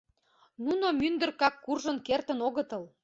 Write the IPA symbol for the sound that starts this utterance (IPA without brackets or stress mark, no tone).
n